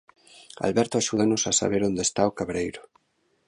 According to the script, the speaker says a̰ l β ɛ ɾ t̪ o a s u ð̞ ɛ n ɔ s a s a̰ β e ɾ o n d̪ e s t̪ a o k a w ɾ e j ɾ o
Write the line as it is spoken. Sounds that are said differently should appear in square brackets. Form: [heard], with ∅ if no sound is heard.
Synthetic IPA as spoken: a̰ l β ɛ ɾ t̪ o a [ʃ] u ð̞ [a] n [o] s a s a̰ β e ɾ o n d̪ e s t̪ a o k a [β] ɾ e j ɾ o